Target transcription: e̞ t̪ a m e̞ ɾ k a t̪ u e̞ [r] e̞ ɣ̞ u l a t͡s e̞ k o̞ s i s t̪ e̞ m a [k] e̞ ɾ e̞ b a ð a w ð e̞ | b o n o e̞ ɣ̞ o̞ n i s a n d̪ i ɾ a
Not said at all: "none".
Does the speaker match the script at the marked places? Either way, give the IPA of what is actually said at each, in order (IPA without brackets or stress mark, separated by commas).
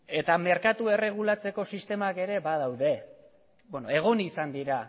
r, k